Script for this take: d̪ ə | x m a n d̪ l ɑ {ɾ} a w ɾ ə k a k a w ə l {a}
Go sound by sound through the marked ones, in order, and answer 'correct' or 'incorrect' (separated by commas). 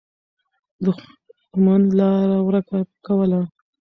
correct, correct